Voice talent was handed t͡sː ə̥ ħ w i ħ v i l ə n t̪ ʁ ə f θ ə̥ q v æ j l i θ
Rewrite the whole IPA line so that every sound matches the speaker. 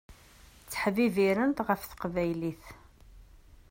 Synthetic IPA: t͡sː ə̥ ħ v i v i ɾ ə n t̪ ʁ ə f θ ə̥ q v æ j l i θ